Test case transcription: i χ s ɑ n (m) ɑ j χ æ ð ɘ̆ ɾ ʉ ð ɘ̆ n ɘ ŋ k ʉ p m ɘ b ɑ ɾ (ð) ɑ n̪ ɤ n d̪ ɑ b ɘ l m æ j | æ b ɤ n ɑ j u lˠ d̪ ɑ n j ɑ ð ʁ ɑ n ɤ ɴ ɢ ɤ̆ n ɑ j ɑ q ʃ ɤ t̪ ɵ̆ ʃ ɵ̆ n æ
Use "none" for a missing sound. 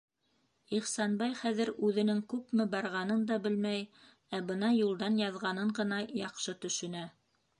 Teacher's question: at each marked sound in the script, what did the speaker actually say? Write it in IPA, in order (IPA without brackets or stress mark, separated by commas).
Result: b, ʁ